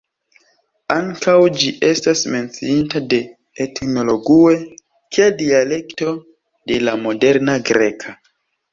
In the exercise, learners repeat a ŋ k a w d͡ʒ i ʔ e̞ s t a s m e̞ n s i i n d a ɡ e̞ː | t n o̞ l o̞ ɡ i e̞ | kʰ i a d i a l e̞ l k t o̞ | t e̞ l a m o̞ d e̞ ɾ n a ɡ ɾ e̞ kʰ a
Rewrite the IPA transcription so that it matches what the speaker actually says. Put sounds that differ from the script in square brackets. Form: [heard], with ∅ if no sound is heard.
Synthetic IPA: a ŋ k a w d͡ʒ i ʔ e̞ s t a s m e̞ n [t͡s] i i n [t] a [d] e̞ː | t n o̞ l o̞ ɡ i e̞ | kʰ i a d i a l e̞ [∅] k t o̞ | [d] e̞ l a m o̞ d e̞ ɾ n a ɡ ɾ e̞ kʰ a